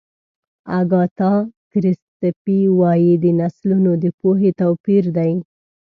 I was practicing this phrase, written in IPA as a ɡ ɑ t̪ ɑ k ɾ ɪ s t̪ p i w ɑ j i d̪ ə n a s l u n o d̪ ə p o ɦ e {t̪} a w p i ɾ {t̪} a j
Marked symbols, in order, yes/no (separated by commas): yes, no